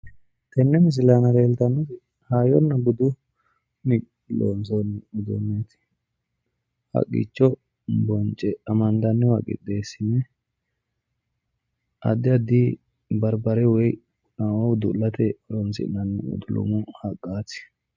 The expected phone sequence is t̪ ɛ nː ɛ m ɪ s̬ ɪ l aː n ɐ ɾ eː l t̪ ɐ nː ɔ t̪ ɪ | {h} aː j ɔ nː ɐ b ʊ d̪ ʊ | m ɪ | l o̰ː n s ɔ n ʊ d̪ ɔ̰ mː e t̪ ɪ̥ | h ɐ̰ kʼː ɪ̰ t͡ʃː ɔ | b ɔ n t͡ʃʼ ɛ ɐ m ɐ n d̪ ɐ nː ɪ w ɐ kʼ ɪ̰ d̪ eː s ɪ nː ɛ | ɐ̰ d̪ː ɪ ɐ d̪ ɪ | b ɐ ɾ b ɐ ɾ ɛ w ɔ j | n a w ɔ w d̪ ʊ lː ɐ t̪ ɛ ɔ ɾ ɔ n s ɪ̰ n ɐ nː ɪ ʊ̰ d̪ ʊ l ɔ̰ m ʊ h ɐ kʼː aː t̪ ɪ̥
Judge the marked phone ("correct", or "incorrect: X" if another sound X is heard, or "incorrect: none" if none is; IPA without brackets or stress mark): correct